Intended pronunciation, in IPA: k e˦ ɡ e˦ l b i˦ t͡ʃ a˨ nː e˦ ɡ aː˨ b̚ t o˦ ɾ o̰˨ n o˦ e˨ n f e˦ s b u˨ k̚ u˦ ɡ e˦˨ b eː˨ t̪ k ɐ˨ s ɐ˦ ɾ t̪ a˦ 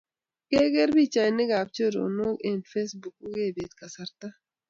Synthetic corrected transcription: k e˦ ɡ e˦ ɾ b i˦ t͡ʃ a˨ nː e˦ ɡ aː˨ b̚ t͡ʃ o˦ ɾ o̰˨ n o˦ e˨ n f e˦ s b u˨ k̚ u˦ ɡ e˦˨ b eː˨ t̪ k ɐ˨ s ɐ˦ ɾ t̪ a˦